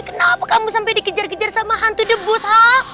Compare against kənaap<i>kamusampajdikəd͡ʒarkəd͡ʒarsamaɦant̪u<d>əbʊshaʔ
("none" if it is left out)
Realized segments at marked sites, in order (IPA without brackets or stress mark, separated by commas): a, d